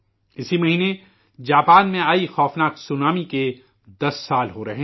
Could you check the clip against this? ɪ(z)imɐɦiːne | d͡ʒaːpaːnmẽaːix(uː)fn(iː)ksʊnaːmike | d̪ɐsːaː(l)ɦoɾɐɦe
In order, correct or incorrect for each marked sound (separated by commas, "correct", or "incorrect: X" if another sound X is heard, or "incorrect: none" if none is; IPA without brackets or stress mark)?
incorrect: s, incorrect: ɔː, incorrect: aː, correct